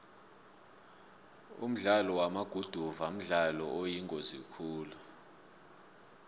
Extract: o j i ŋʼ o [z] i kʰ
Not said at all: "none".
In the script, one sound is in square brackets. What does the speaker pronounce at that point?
z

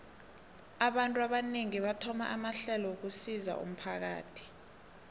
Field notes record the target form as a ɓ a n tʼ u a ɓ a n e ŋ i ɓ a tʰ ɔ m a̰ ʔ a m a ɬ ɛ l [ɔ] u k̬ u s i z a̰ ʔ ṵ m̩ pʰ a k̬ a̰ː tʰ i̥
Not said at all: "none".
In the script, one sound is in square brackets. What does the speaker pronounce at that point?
ɔ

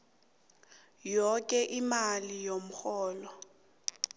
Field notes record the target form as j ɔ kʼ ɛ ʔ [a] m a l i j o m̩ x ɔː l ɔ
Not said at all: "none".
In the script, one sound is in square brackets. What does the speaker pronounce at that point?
i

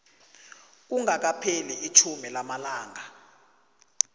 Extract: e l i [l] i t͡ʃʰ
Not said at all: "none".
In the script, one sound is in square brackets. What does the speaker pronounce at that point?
none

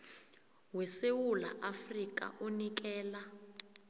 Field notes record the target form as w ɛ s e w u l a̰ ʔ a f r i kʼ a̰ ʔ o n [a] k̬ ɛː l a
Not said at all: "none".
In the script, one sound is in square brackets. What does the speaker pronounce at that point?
i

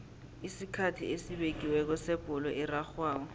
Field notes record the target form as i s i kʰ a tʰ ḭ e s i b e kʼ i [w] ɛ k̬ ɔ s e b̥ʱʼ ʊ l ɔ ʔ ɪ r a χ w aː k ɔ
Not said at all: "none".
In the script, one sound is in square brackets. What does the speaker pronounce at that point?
w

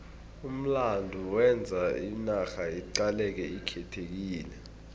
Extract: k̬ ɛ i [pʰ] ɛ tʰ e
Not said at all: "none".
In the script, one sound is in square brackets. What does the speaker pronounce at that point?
kʰ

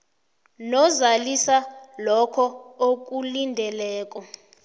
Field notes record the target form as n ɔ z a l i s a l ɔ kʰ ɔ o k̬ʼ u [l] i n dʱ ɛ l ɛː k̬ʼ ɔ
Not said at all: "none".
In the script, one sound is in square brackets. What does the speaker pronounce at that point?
l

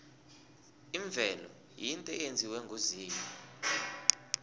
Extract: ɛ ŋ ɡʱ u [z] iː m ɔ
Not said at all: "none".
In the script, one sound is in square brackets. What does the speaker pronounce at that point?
z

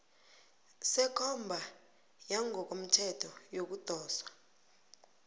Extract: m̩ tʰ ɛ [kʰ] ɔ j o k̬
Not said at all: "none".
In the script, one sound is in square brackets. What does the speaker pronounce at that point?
tʰ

